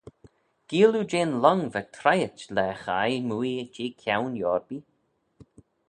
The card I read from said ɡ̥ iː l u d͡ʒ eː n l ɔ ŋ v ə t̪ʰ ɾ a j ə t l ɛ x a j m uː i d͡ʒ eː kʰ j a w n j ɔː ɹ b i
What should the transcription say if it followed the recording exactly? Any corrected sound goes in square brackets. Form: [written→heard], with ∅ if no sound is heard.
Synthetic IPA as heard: ɡ̥ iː l u d͡ʒ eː n l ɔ ŋ v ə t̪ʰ ɾ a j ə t l ɛ x a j m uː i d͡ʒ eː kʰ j a w n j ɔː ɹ b i

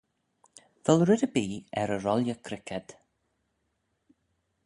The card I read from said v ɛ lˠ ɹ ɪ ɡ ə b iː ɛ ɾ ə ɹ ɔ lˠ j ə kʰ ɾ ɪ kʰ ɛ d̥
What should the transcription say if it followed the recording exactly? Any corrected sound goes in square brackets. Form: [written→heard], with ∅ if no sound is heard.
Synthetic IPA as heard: v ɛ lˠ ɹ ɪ [ɡ→d] ə b iː ɛ ɾ ə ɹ ɔ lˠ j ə kʰ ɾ ɪ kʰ ɛ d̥

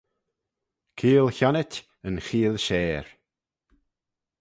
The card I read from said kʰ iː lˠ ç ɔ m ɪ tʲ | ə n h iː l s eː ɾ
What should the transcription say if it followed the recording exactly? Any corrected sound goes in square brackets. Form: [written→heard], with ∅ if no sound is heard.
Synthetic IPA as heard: kʰ iː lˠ ç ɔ [m→n] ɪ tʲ | ə n [h→x] iː l [s→ʃ] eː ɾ

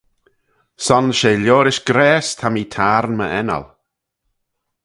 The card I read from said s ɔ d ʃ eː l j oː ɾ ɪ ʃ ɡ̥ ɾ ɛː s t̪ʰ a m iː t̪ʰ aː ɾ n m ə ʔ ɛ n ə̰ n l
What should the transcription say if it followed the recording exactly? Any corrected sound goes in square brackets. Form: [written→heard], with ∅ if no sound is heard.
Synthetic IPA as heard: s ɔ [d→n] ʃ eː l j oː ɾ ɪ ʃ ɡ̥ ɾ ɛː s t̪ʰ a m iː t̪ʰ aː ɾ n m ə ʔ ɛ n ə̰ [n→∅] l

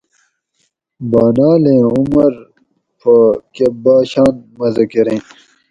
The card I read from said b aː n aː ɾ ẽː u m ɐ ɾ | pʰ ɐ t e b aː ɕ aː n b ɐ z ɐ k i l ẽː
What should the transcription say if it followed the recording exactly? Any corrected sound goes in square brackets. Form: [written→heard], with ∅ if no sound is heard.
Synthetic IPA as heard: b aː n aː [ɾ→l] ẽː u m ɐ ɾ | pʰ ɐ [t→k] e b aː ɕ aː n [b→m] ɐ z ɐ k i [l→ɾ] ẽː

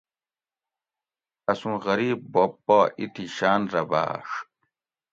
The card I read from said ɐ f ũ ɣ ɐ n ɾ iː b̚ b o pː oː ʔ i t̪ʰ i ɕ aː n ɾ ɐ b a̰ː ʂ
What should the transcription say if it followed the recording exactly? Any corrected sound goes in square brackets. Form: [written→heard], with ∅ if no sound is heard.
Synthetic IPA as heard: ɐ [f→s] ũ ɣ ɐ [n→∅] ɾ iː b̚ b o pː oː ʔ i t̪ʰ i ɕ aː n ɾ ɐ b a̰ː ʂ

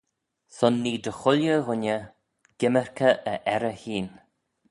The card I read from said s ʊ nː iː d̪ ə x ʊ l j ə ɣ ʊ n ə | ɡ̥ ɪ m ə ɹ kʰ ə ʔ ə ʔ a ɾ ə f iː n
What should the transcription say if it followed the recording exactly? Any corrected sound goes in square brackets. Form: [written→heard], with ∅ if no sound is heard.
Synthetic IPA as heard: s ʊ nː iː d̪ ə x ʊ l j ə ɣ ʊ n ə | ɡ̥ ɪ m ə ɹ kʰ ə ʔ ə ʔ [a→ɛ] ɾ ə [f→h] iː n

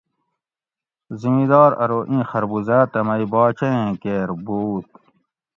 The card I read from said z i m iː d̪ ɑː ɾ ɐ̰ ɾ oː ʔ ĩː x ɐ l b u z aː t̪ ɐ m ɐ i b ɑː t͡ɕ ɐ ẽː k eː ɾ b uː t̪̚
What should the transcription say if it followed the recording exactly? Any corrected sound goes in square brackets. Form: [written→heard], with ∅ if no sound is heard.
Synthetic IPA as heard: z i m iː d̪ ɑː ɾ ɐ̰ ɾ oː ʔ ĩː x ɐ [l→ɾ] b u z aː t̪ ɐ m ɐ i b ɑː t͡ɕ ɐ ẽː k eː ɾ b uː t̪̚

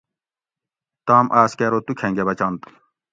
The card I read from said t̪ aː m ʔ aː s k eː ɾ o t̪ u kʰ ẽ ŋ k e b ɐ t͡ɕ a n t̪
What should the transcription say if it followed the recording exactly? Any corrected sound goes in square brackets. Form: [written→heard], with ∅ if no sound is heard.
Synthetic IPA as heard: t̪ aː m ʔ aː s k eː ɾ o t̪ u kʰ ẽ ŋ [k→ɡ] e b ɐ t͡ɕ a n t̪

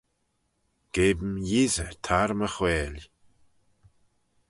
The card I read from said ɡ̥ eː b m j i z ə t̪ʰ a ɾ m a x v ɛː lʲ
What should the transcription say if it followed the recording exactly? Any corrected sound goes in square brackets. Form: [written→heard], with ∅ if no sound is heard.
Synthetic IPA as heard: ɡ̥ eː b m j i z ə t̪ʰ a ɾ m [a→ə] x [v→w] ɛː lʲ

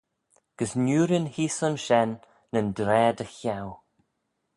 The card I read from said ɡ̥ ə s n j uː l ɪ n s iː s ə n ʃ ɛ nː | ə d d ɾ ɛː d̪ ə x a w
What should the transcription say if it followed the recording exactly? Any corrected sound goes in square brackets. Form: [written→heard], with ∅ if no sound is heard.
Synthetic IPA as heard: ɡ̥ ə s n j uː [l→ɾ] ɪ n [s→h] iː s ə n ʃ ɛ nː | ə [d→n] d ɾ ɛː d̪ ə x a w

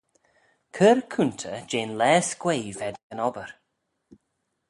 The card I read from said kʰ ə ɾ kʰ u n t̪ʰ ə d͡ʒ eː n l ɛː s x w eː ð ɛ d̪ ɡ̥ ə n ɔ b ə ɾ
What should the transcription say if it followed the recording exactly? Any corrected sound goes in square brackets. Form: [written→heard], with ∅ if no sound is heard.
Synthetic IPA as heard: kʰ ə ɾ kʰ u n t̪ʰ ə d͡ʒ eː n l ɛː s [x→k] w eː [ð→v] ɛ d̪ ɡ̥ ə n ɔ b ə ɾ

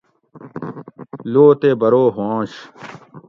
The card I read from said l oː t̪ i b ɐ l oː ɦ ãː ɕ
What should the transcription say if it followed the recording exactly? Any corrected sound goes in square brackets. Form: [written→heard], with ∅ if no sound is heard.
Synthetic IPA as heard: l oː t̪ [i→e] b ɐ [l→ɾ] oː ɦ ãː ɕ

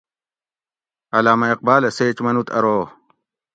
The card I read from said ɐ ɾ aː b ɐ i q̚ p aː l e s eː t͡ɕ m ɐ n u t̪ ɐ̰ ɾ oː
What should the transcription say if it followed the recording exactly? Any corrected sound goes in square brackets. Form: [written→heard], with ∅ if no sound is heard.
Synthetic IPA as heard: ɐ [ɾ→l] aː [b→m] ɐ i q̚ [p→b] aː l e s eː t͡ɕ m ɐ n u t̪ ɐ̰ ɾ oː

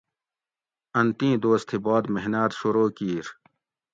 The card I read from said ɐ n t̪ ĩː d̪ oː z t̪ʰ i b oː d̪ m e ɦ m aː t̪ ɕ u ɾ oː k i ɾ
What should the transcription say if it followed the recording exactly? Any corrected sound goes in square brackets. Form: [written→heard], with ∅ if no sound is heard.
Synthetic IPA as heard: ɐ n t̪ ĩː d̪ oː [z→s] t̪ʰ i b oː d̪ m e ɦ [m→n] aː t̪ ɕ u ɾ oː k [i→iː] ɾ

